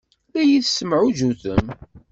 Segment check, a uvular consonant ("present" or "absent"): absent